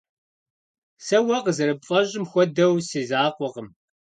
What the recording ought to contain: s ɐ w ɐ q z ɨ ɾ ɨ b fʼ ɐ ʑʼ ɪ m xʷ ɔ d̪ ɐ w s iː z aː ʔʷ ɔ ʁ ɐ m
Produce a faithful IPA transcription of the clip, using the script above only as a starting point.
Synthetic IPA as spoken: s ɐ w ɐ q z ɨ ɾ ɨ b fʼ ɐ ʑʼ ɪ m xʷ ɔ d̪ ɐ w s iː z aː qʷ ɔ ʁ ə m